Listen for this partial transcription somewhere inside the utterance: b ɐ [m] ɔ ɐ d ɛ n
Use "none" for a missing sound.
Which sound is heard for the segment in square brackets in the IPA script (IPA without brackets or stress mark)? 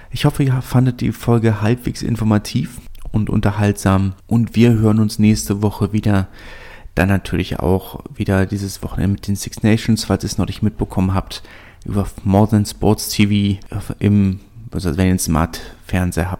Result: m